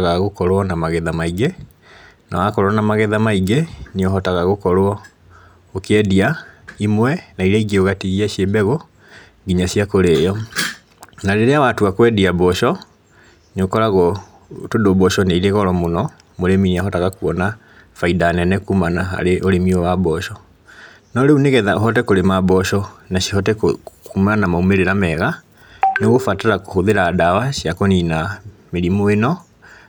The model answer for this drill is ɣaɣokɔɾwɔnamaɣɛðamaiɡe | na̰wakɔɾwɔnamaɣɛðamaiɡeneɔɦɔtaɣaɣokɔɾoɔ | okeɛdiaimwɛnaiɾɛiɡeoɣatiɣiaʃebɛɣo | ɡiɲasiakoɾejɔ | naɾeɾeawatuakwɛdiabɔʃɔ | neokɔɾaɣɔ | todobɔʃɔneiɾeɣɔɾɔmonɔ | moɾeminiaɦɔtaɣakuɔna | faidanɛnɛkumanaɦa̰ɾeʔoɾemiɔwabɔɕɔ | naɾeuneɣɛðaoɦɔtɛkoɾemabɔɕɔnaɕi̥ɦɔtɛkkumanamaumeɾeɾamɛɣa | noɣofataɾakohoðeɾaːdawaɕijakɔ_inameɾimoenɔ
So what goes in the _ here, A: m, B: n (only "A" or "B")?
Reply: B